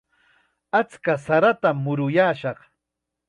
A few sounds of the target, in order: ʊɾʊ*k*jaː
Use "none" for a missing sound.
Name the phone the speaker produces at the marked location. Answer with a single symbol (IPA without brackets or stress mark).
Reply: none